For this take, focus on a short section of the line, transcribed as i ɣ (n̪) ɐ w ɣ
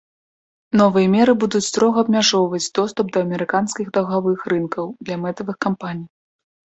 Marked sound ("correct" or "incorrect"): incorrect